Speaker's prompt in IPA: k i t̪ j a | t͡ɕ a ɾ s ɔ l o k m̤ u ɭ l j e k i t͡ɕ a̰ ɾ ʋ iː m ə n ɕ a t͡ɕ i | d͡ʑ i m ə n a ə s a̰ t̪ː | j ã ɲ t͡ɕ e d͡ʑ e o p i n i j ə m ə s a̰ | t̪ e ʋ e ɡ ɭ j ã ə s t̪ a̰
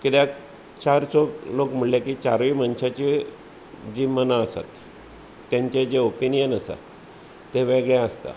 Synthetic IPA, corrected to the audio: k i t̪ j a | t͡ɕ a ɾ s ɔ l o k m̤ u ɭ l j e k i t͡ɕ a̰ ɾ ʋ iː m ə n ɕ a t͡ɕ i | d͡ʑ i m ə n a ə s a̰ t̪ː | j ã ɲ t͡ɕ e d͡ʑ e o p i n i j ə n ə s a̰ | t̪ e ʋ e ɡ ɭ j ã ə s t̪ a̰